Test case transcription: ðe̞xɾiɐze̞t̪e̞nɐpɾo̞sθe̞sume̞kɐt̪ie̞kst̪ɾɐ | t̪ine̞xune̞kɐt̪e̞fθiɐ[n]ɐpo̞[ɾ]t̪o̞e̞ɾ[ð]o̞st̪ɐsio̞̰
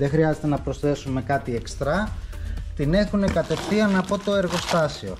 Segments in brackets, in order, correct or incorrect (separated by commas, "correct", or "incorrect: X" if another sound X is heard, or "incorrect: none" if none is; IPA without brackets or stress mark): correct, incorrect: none, incorrect: ɣ